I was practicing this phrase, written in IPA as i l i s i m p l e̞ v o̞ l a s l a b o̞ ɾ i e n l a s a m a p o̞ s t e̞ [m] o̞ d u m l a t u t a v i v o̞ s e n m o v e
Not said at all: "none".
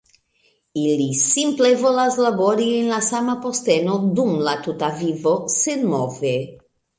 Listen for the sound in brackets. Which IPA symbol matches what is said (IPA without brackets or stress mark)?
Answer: n